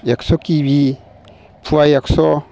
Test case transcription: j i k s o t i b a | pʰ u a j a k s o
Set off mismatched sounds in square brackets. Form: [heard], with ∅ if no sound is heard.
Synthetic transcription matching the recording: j [a] k s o [k] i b [i] | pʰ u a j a k s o